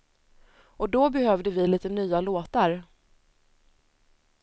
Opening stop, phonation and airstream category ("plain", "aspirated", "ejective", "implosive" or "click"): plain